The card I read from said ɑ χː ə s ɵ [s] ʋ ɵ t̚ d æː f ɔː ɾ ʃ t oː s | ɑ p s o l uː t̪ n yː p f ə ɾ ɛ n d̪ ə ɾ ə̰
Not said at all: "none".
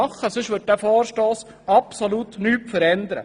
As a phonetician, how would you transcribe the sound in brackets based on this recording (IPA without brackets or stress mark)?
ʃ